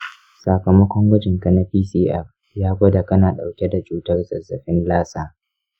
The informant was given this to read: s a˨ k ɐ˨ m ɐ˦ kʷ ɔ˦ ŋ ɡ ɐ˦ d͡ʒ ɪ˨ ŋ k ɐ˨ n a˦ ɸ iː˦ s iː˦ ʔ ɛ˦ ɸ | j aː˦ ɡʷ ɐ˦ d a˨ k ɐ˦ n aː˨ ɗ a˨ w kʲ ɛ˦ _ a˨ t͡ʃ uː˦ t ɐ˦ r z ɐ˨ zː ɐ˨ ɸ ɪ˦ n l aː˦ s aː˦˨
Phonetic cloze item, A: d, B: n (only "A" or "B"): A